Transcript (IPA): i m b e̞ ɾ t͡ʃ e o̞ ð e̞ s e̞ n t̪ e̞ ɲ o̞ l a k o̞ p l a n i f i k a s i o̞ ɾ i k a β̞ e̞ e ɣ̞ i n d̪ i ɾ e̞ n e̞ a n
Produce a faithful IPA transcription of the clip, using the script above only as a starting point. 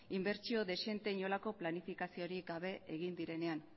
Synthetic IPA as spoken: i m b e̞ ɾ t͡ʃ i o̞ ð e̞ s e̞ n t̪ e̞ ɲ o̞ l a k o̞ p l a n i f i k a s i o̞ ɾ i ɡ a β̞ e̞ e ɣ̞ i n d̪ i ɾ e̞ n e̞ a n